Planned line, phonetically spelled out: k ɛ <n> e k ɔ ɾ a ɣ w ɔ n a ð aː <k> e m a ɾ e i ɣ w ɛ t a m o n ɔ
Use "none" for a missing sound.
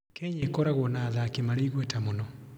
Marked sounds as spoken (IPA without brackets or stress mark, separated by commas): ɲ, k